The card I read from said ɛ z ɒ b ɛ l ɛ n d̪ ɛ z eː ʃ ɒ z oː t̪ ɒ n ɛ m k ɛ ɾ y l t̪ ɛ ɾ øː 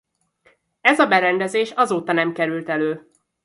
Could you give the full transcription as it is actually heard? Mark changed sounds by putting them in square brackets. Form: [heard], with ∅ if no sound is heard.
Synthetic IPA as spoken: ɛ z ɒ b ɛ [ɾ] ɛ n d̪ ɛ z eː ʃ ɒ z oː t̪ ɒ n ɛ m k ɛ ɾ y l t̪ ɛ [l] øː